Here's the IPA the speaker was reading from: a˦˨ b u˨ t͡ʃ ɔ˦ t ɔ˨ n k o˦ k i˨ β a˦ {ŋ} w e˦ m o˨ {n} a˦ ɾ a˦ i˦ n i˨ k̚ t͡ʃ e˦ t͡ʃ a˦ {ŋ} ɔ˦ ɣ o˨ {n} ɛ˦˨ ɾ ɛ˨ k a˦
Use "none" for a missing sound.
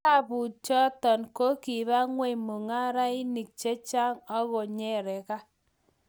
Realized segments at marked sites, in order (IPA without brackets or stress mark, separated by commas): ŋ, ŋ, ŋ, ɲ